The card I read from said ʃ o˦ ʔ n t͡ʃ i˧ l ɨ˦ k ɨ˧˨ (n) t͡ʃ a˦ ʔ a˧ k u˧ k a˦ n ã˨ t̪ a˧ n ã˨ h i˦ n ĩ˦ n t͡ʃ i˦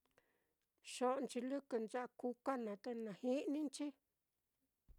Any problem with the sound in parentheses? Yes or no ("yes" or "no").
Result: no